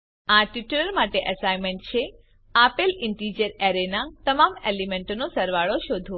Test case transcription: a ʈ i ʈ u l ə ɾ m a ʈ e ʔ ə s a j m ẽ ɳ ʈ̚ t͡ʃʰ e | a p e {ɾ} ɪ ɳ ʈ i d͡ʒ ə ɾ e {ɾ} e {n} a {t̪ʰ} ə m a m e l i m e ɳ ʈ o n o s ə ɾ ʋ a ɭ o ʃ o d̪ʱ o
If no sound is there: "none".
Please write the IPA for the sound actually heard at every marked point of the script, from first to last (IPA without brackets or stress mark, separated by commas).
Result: l, ɾ, n, t̪